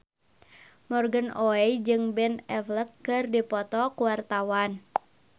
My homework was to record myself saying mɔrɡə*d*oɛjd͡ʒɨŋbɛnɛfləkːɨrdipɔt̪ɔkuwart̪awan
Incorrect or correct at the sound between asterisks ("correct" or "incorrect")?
incorrect